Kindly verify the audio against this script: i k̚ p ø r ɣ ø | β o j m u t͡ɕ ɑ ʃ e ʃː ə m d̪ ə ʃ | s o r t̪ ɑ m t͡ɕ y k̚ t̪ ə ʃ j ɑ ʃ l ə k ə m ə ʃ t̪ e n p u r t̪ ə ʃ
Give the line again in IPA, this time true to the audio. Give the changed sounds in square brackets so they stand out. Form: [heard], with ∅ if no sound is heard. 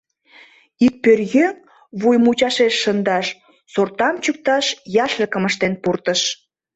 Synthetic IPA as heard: i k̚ p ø r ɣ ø | β [u] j m u t͡ɕ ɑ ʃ e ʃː ə [n] d̪ [ɑ] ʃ | s o r t̪ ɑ m t͡ɕ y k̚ t̪ [ɑ] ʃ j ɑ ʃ l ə k ə m ə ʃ t̪ e n p u r t̪ ə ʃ